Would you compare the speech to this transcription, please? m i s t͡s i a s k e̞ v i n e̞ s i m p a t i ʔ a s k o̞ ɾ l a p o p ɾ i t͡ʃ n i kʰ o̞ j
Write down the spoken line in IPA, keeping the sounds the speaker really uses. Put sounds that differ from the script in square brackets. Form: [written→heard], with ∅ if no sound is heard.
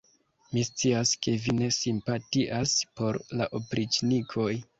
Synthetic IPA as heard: m i s t͡s i a s k e̞ v i n e̞ s i m p a t i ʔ a s [k→p] o̞ ɾ l a [p→ʔ] o p ɾ i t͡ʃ n i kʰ o̞ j